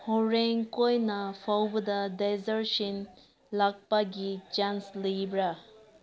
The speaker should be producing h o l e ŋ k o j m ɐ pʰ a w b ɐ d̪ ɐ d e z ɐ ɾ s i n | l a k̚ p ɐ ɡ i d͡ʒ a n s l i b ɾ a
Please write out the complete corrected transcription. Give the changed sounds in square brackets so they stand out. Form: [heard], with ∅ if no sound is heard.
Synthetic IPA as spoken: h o [ɾ] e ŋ k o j [n] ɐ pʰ a w b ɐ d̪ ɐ d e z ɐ ɾ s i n | l a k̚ p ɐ ɡ i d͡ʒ a n s l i b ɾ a